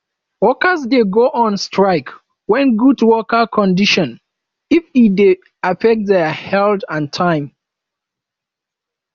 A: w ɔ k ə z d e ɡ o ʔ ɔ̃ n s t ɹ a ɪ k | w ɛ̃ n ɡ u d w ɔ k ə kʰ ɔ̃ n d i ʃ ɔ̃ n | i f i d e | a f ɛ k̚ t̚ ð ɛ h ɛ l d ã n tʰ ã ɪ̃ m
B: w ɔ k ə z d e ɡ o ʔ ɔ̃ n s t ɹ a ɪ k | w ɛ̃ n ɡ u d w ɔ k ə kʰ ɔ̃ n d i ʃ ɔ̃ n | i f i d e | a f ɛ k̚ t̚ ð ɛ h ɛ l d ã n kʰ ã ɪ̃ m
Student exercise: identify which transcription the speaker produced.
A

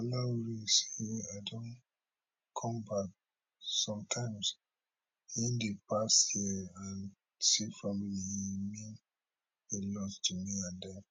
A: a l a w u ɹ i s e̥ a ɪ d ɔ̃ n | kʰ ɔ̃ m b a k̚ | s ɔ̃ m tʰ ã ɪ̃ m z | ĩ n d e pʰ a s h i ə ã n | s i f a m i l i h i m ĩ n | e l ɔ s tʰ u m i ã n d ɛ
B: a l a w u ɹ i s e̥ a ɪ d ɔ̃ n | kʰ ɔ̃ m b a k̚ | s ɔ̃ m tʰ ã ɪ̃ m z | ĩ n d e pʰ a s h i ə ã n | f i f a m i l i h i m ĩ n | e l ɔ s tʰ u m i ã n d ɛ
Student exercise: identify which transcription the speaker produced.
A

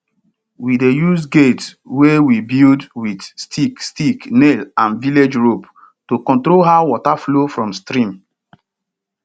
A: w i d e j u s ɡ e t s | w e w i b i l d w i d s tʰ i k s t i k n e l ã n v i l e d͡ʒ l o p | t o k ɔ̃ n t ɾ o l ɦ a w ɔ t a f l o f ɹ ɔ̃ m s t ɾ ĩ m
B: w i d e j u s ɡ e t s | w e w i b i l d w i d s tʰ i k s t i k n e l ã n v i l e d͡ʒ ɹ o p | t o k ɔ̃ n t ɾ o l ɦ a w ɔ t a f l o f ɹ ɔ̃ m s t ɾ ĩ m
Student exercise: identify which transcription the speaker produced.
B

